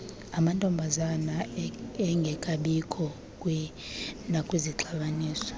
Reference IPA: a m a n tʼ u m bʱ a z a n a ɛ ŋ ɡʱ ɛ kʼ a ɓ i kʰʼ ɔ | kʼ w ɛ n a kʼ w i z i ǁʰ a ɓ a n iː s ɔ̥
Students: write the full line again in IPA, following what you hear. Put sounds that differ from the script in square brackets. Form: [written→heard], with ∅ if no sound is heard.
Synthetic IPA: a m a n tʼ [u→ɔ] m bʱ a z a n a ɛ ŋ ɡʱ ɛ kʼ a ɓ i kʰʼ ɔ | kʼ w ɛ n a kʼ w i z i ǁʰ a ɓ a n iː s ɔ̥